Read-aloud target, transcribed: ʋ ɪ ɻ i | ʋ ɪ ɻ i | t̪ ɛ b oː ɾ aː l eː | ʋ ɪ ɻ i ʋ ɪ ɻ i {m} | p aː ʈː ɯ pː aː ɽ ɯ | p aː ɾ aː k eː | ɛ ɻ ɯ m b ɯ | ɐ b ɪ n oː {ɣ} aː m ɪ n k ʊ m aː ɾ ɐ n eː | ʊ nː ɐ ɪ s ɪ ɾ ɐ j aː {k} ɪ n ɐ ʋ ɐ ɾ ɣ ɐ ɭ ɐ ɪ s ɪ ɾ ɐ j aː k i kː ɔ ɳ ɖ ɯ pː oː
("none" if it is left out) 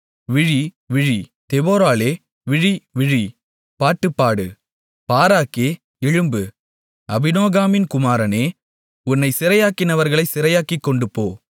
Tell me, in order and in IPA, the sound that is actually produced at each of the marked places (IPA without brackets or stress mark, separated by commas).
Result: none, ɣ, k